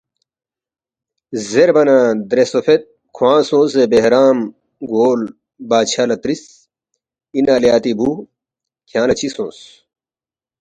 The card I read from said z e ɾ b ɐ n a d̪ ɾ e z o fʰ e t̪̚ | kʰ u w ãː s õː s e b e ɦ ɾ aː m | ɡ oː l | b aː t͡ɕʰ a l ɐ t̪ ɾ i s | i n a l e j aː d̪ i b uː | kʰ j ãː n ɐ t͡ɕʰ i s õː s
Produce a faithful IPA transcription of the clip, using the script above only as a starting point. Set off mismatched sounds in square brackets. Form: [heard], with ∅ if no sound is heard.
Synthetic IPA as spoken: z e ɾ b ɐ n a d̪ ɾ e [s] o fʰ e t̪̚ | kʰ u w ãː s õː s e b e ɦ ɾ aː m | ɡ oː l | b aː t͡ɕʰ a l ɐ t̪ ɾ i s | i n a l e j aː [t̪] i b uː | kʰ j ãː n ɐ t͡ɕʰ i s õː s